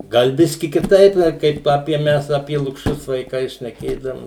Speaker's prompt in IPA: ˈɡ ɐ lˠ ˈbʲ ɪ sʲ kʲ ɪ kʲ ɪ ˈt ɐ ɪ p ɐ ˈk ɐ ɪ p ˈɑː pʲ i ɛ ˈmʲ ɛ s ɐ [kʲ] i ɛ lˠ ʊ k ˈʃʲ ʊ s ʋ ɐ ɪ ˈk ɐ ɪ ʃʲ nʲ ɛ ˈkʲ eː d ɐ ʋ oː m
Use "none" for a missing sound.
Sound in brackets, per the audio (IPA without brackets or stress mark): pʲ